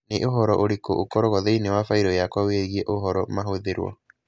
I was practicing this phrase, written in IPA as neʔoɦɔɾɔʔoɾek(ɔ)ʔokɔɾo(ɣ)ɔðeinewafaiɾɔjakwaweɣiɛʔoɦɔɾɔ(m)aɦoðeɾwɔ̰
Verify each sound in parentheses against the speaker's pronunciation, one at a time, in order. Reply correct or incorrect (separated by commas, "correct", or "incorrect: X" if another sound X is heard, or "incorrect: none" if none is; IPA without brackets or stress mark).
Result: incorrect: o, correct, correct